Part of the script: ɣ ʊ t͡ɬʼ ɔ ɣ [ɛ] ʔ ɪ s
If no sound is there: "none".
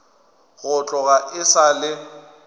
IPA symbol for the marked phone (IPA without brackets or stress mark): a